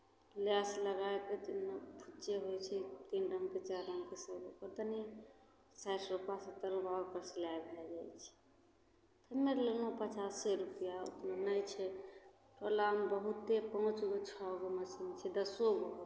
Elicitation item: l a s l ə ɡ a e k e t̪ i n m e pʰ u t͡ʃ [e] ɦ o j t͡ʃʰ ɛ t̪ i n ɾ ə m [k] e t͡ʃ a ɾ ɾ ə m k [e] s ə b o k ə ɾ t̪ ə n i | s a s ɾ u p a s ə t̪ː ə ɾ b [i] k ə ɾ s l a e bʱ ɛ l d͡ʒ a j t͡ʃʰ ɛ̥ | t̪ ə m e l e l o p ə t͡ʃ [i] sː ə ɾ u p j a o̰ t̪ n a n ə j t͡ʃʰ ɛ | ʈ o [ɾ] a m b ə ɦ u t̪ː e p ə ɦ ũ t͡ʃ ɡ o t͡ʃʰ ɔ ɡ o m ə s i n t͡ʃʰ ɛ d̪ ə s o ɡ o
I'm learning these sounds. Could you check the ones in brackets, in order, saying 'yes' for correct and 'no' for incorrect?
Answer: yes, yes, yes, no, no, no

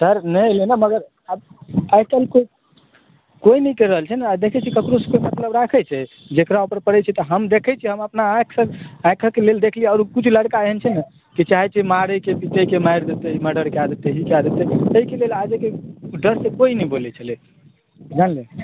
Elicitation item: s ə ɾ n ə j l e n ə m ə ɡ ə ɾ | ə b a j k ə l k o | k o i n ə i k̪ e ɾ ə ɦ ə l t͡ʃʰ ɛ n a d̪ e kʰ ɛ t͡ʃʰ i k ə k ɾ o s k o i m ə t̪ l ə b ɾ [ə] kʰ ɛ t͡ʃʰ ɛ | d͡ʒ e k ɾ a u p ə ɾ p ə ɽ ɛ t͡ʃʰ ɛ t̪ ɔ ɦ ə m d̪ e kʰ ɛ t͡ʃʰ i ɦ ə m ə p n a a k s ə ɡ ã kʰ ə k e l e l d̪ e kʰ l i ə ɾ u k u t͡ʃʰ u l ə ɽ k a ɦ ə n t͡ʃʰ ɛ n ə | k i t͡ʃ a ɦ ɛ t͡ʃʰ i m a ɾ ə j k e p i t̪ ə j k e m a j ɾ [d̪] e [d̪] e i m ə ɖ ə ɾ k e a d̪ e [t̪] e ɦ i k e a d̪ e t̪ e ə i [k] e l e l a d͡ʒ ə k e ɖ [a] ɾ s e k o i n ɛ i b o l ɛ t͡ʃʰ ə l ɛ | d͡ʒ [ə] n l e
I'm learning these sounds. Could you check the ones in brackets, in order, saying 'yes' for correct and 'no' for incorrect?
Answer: no, yes, no, yes, yes, no, no

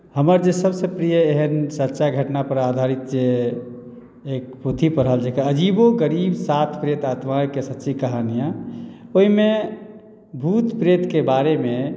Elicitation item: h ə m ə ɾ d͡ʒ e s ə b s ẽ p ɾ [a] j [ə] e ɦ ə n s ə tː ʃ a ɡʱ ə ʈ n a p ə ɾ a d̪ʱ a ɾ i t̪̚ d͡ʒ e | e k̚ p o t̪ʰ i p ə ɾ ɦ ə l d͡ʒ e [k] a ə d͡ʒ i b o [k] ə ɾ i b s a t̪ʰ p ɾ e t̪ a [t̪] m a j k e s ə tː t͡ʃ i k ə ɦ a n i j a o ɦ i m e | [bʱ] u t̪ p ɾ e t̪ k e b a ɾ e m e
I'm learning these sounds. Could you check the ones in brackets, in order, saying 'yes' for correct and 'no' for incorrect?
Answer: no, yes, yes, no, yes, yes

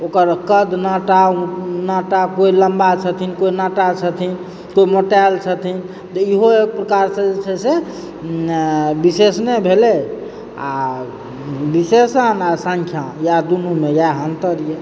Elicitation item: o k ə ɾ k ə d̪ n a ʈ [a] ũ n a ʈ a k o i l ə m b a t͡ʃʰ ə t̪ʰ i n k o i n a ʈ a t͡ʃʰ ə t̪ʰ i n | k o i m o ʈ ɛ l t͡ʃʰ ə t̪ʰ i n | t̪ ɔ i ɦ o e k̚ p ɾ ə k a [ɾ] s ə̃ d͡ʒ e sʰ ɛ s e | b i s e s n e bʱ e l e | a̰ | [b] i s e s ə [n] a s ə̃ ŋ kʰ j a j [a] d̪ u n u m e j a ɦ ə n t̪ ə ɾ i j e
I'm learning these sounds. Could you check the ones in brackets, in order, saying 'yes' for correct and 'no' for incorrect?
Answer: yes, yes, yes, yes, yes

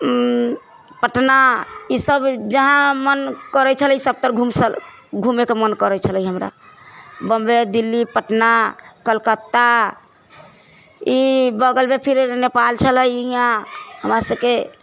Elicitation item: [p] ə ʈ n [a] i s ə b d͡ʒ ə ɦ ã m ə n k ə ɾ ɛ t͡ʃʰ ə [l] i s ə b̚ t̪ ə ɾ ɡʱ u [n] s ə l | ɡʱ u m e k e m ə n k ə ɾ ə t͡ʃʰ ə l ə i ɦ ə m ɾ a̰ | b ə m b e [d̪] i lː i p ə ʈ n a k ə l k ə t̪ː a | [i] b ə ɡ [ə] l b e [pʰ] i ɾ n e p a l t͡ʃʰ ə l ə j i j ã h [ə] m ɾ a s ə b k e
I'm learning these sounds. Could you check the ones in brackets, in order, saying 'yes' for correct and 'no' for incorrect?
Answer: yes, yes, yes, no, yes, yes, yes, yes, yes

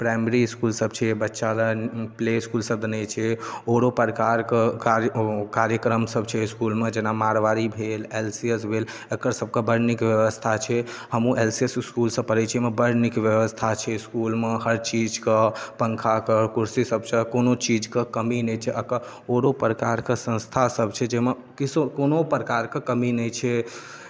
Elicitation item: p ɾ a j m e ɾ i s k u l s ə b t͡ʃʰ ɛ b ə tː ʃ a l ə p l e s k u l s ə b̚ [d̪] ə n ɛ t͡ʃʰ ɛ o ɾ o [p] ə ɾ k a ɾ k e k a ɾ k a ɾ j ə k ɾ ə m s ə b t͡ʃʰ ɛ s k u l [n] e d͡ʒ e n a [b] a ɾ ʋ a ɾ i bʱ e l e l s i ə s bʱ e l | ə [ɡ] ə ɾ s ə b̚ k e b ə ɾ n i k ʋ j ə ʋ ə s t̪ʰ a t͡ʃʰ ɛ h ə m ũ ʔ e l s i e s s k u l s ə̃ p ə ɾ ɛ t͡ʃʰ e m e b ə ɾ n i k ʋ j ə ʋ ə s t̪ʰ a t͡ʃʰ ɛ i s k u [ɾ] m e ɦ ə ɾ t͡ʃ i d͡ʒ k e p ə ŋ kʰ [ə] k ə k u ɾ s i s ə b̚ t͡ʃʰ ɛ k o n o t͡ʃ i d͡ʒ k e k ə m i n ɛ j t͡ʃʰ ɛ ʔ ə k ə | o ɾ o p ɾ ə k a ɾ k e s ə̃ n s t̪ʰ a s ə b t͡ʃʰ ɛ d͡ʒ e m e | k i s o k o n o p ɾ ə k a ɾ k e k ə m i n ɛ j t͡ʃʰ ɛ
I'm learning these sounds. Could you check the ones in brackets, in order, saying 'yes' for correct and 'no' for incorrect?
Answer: yes, yes, no, no, no, no, no

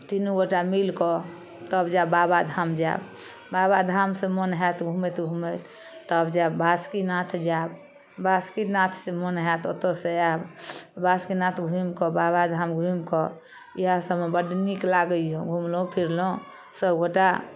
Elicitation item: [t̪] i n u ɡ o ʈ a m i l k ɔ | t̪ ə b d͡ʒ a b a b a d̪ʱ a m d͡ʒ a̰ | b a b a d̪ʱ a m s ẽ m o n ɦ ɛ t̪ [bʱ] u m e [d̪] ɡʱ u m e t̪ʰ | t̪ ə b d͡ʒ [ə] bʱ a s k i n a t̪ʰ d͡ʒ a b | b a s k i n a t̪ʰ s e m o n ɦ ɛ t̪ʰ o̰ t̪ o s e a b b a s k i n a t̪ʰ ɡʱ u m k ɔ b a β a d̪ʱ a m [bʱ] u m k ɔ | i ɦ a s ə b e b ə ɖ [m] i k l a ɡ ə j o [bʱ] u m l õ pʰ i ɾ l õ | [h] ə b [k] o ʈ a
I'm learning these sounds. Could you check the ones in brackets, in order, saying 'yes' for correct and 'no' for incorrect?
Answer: yes, no, no, no, no, no, no, no, no

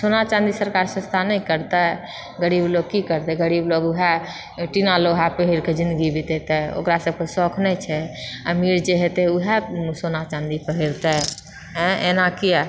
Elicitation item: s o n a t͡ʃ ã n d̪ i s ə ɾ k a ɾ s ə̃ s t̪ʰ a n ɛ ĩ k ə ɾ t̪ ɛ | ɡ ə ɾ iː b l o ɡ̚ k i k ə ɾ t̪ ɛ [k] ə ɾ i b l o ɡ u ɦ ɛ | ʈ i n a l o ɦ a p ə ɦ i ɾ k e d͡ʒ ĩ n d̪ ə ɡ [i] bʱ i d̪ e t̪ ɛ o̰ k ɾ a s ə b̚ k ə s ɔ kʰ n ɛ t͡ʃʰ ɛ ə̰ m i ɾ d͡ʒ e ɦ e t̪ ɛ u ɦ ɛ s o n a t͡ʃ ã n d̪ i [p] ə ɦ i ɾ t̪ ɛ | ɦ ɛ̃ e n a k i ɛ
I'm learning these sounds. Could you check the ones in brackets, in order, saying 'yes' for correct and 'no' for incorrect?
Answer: no, yes, yes

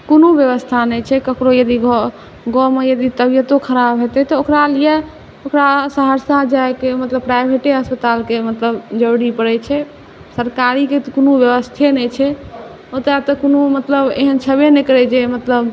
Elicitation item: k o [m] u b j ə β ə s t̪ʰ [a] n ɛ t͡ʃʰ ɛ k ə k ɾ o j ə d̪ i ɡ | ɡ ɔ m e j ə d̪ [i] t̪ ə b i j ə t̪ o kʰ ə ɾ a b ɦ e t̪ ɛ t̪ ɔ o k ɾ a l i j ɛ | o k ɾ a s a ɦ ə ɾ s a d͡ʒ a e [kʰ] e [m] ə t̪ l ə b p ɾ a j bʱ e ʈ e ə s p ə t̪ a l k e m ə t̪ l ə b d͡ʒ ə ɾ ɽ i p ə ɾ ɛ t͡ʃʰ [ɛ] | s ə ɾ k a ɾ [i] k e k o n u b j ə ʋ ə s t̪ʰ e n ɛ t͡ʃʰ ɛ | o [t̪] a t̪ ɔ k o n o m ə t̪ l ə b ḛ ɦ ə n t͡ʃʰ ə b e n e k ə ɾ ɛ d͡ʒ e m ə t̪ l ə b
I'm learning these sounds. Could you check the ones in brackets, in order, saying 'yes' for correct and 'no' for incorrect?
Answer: no, yes, yes, no, yes, yes, yes, yes

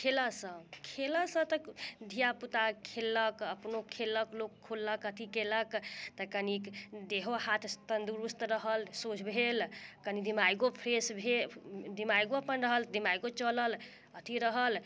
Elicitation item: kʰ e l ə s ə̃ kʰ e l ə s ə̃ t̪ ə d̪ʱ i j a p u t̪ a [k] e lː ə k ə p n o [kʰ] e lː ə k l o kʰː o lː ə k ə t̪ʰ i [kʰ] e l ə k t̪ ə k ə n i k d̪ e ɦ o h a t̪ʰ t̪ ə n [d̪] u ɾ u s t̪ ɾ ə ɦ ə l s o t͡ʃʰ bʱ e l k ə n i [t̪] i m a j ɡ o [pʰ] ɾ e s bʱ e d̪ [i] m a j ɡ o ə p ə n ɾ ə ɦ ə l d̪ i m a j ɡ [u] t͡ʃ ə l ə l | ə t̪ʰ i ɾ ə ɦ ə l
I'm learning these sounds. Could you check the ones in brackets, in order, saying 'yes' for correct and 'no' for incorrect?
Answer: no, yes, no, yes, no, yes, yes, no

